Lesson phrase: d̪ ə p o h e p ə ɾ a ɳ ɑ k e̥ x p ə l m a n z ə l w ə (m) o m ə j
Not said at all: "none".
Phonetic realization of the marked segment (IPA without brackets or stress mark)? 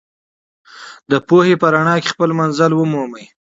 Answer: m